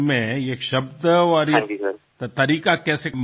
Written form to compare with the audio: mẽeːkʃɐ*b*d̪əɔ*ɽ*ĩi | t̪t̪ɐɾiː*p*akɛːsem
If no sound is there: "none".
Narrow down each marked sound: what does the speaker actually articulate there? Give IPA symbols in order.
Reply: b, ɾ, k

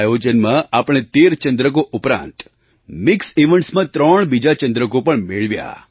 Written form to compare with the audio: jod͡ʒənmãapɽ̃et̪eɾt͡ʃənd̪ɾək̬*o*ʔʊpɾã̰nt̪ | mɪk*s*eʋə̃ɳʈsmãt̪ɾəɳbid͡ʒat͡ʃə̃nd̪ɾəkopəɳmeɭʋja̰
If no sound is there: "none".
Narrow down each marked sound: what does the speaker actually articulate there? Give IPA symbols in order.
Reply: o, s

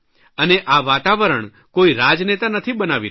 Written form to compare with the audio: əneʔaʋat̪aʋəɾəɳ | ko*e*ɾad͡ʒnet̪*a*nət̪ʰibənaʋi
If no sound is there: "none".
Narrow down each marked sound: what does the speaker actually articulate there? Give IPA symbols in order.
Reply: i, a

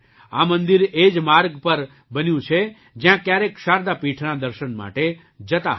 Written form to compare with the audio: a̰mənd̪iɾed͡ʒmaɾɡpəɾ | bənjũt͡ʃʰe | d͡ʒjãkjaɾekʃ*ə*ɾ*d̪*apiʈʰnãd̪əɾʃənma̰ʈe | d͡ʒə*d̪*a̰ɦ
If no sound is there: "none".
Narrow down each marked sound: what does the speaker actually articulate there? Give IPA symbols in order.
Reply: a, d̪, t̪

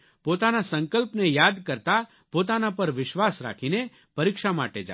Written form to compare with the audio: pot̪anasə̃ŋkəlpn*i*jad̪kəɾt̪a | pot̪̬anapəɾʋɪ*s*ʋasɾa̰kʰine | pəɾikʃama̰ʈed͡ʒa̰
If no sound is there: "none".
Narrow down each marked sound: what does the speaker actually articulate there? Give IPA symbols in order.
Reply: e, ʃ

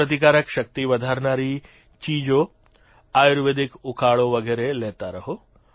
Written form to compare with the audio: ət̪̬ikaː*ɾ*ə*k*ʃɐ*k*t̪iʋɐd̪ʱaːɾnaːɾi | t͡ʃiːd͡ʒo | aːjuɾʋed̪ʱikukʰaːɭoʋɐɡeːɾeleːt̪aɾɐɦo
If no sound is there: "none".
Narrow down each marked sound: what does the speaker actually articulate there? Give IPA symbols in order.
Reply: ɾ, k, k

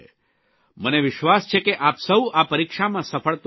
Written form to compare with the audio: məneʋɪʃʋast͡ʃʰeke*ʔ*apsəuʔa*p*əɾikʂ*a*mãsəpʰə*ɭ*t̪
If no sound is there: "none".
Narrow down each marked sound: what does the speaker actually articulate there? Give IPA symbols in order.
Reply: ʔ, p, a, ɭ

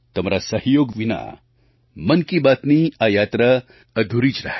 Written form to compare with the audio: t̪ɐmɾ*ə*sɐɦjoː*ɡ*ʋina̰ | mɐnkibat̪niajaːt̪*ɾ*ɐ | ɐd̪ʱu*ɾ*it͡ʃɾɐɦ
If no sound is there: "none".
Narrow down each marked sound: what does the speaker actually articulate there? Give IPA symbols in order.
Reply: a, ɡ, ɾ, ɾ

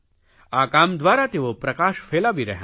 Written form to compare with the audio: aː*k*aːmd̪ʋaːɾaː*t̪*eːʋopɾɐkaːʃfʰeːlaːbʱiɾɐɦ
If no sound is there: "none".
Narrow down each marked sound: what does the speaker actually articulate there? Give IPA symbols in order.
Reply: k, t̪

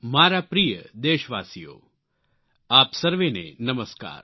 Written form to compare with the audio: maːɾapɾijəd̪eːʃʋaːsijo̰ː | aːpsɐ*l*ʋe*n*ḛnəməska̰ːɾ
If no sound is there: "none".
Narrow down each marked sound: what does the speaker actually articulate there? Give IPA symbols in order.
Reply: ɾ, n

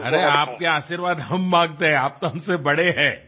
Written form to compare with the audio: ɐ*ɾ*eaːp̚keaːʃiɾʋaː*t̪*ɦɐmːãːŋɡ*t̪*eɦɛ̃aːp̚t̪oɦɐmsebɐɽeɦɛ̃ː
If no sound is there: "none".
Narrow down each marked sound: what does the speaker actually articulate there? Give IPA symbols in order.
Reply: ɾ, d̪, t̪

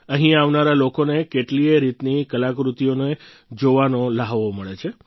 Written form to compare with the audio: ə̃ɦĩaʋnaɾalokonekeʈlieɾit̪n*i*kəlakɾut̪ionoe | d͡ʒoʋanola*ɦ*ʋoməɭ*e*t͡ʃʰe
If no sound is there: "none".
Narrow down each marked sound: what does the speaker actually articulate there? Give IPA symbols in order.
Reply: i, ɦ, e

